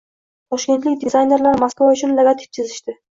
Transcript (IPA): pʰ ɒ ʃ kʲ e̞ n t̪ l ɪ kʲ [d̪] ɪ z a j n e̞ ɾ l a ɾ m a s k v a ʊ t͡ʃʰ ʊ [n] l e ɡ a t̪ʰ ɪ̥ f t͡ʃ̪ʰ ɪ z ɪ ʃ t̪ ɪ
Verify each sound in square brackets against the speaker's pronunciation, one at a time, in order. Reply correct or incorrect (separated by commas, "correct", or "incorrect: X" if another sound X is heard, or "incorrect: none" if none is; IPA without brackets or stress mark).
correct, correct